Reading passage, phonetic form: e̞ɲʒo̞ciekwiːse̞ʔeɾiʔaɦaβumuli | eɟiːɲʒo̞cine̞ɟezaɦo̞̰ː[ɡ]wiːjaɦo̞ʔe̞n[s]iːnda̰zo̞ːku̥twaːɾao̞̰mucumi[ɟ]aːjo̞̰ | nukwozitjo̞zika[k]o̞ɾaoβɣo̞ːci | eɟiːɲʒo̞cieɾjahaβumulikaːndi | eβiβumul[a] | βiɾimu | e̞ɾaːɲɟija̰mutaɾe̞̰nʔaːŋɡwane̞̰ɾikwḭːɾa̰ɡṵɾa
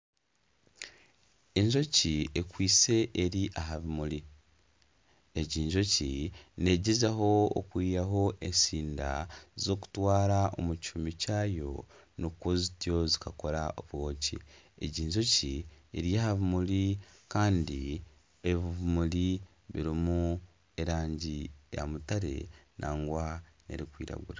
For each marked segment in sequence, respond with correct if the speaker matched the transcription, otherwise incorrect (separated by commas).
incorrect, correct, incorrect, correct, incorrect